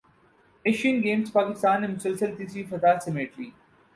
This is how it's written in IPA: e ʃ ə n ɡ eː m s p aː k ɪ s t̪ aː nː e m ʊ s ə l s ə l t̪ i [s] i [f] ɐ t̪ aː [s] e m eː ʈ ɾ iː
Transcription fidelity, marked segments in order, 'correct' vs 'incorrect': correct, correct, correct

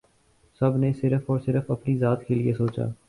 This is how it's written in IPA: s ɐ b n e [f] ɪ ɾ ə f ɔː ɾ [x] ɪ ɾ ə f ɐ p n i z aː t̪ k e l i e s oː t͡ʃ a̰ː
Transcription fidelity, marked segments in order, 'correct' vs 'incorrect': incorrect, incorrect

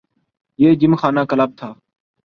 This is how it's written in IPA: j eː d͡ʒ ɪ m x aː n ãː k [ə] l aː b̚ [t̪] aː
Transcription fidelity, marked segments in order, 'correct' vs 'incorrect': correct, incorrect

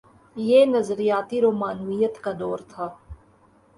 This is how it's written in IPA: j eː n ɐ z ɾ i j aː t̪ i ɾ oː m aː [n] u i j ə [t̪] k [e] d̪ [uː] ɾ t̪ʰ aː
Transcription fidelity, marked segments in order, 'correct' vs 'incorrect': correct, correct, incorrect, incorrect

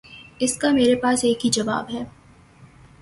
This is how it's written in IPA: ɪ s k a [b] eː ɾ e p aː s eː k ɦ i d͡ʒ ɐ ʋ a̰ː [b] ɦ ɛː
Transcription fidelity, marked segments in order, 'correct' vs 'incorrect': incorrect, correct

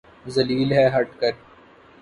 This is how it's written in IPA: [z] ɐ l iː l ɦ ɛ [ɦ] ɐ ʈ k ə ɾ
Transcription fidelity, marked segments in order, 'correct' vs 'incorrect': correct, correct

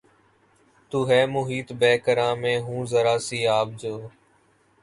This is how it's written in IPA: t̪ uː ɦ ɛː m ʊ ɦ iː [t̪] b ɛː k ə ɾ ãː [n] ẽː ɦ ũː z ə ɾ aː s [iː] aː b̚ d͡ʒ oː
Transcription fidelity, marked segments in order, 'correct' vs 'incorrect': correct, incorrect, correct

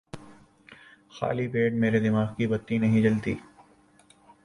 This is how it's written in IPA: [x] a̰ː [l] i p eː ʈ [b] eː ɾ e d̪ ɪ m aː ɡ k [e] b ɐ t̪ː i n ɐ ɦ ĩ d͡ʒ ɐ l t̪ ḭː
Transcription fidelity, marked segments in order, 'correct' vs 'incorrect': correct, correct, incorrect, incorrect

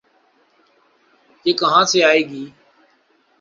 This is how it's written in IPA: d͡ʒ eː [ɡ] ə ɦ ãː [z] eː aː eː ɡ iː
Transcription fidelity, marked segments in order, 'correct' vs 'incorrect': incorrect, incorrect

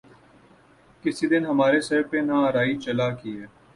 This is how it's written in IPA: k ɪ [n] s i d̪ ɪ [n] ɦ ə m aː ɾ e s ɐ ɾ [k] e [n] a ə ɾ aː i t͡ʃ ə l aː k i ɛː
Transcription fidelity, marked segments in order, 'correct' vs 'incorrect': incorrect, correct, incorrect, correct

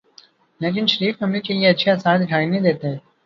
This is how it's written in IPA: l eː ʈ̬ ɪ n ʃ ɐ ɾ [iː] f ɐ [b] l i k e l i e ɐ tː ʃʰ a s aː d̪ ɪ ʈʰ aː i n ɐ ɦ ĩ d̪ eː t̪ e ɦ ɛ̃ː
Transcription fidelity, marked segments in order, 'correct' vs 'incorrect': correct, incorrect

